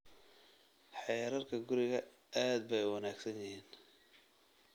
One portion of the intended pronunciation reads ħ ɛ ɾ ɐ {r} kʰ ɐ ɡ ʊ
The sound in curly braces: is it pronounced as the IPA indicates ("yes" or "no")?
yes